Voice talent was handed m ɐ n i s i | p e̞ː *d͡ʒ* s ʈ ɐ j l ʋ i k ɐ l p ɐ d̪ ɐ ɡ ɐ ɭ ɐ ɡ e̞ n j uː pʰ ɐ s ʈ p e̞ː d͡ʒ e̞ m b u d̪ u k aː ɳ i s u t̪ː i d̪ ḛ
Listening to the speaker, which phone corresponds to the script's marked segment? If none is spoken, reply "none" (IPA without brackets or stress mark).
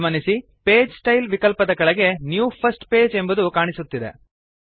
d͡ʒ